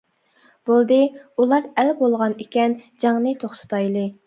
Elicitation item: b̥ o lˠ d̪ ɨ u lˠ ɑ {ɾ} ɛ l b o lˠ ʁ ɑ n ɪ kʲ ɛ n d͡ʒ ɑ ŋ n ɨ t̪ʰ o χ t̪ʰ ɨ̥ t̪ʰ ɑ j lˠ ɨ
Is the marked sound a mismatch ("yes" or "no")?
no